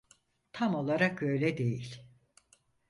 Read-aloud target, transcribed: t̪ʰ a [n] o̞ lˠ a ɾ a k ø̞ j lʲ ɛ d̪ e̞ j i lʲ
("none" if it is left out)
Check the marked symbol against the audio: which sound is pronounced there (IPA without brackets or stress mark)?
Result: m